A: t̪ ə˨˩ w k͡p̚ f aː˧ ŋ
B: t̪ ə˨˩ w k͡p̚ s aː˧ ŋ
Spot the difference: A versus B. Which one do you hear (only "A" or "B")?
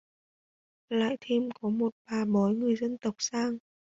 B